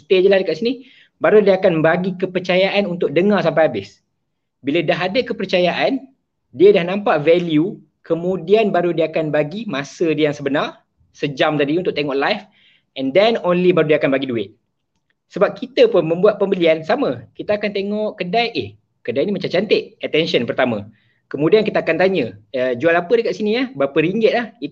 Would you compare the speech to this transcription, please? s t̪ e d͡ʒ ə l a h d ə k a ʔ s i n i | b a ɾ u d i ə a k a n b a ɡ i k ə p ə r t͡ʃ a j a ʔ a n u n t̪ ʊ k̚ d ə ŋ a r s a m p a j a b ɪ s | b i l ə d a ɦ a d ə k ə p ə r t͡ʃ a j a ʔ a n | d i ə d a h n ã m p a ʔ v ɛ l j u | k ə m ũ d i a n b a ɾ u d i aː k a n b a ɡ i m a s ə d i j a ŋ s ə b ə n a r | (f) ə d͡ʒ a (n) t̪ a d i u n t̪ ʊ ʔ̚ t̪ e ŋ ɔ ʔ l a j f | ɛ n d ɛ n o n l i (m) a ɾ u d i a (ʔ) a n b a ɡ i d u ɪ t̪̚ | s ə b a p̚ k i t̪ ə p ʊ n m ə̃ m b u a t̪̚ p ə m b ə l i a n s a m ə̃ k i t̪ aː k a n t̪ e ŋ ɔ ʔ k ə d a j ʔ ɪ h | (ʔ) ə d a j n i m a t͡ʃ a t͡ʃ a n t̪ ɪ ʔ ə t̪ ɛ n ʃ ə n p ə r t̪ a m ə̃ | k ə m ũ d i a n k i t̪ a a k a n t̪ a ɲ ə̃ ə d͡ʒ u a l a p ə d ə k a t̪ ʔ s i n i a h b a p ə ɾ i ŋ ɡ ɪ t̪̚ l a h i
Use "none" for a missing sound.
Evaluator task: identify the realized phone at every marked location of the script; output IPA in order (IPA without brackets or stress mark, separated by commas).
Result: s, m, b, k, k